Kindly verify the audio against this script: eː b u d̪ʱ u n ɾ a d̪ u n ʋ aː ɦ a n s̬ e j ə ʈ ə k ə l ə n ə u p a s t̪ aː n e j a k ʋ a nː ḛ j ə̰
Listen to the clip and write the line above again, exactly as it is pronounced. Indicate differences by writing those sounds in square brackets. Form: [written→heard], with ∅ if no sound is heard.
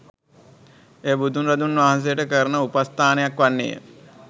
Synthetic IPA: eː b u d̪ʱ u n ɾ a d̪ u n ʋ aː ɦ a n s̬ e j ə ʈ ə k ə [l→ɾ] ə n ə u p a s t̪ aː n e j a k ʋ a nː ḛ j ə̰